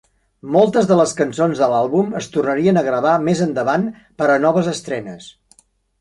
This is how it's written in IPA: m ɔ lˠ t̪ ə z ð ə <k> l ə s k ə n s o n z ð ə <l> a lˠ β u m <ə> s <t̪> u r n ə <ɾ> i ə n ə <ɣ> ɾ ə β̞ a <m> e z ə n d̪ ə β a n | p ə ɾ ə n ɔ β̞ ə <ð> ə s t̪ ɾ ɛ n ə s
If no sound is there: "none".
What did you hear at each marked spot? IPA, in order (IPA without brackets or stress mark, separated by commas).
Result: none, l, ə, t̪, ɾ, ɣ, m, z